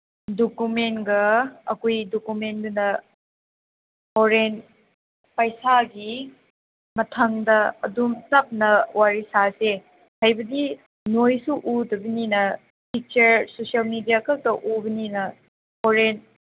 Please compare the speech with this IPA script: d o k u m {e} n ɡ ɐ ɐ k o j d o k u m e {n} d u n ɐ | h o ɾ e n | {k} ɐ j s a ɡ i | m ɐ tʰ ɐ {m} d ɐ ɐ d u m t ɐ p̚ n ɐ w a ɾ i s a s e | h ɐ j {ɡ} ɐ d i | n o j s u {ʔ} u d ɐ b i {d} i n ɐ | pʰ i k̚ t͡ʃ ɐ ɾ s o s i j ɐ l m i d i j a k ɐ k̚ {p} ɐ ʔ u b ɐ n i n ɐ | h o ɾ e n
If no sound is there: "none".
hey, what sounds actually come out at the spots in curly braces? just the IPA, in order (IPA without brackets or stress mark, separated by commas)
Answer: e, n, p, ŋ, b, ʔ, n, t